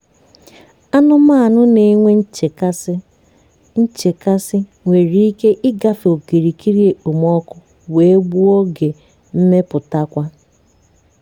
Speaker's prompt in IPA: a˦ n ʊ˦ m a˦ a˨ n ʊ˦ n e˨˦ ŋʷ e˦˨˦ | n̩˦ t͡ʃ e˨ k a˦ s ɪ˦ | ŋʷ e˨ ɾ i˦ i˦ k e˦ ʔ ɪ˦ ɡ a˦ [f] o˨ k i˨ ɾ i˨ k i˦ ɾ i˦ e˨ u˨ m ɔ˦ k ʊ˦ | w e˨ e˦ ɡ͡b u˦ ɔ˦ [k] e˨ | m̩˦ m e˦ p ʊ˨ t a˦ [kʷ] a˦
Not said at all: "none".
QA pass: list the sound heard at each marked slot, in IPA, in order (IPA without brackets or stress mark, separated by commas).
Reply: f, ɡ, kʷ